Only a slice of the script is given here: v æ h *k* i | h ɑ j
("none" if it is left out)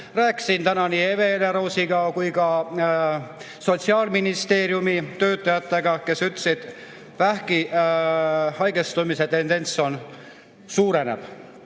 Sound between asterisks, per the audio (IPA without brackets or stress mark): k